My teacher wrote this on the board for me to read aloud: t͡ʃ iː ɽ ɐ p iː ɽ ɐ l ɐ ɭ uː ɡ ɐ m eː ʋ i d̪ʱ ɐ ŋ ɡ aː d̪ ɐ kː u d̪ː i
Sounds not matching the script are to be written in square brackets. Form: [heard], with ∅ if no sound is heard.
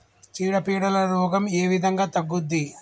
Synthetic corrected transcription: t͡ʃ iː ɽ ɐ p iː ɽ ɐ l ɐ [ɾ] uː ɡ ɐ m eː ʋ i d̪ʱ ɐ ŋ ɡ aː [t̪] ɐ [ɡː] u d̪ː i